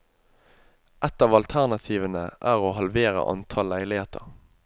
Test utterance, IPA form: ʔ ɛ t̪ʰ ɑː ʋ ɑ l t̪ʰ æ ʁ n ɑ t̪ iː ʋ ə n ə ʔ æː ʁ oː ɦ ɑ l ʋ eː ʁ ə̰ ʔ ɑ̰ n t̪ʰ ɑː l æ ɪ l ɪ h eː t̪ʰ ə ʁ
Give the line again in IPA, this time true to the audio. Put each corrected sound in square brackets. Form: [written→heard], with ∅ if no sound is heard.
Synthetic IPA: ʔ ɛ [t̪ʰ→t̪] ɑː ʋ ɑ l t̪ʰ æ ʁ n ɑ [t̪→t̪ʰ] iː ʋ ə n ə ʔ æː ʁ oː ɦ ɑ l ʋ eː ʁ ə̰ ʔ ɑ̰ n t̪ʰ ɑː l æ ɪ l ɪ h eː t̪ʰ ə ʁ